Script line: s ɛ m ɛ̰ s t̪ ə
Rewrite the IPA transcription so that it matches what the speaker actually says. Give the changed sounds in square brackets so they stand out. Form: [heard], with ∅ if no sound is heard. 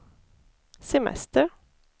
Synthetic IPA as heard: s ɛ m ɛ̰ s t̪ ə